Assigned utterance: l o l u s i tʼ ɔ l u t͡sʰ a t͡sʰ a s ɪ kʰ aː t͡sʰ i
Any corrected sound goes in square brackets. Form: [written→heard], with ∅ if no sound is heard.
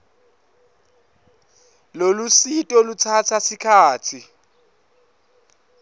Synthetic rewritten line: l o l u s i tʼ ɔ l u t͡sʰ a t͡sʰ a s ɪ kʰ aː t͡sʰ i